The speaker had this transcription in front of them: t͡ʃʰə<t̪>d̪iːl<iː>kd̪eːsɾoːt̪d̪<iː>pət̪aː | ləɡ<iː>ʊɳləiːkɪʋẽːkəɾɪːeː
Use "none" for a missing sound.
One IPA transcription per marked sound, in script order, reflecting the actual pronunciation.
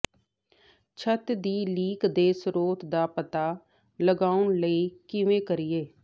t̪, iː, aː, aː

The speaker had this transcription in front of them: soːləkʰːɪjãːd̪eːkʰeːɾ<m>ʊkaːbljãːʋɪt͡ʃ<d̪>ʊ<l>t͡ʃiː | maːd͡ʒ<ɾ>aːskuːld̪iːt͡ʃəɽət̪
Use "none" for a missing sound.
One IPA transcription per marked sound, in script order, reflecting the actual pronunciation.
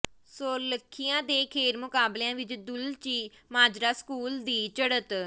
m, d̪, l, ɾ

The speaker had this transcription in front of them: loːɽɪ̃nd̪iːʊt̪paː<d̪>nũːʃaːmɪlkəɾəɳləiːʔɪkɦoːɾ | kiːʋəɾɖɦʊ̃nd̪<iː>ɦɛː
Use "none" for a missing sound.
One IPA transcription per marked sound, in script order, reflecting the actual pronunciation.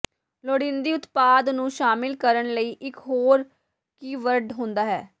d̪, aː

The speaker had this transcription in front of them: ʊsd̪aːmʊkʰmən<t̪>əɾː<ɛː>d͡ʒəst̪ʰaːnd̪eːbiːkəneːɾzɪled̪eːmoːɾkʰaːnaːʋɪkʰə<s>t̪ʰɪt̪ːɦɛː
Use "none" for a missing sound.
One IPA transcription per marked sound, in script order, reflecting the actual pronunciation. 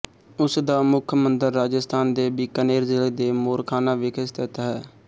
d̪, aː, s

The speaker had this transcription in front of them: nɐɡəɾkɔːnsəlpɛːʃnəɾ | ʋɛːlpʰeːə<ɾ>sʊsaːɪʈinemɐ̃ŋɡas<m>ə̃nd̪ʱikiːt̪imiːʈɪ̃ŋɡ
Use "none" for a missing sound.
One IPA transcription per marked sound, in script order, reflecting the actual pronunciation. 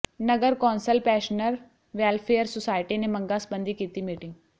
ɾ, b

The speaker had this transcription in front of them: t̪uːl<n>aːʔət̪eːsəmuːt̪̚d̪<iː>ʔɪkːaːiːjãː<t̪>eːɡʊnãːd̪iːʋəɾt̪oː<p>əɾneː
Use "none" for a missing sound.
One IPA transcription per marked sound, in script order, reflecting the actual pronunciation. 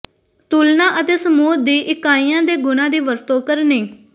n, iː, d̪, k

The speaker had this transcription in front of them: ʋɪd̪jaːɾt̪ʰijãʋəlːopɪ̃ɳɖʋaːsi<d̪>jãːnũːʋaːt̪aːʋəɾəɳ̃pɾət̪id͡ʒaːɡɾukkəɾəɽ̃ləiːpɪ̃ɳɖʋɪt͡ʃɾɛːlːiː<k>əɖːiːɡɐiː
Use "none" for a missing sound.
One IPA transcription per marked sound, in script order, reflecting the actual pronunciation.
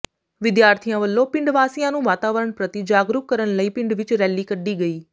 none, k

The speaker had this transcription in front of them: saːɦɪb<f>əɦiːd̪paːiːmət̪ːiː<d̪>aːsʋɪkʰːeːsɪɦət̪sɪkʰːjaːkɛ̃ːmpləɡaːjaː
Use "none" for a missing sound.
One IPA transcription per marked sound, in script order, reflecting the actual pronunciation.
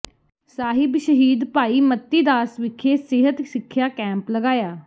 ʃ, d̪

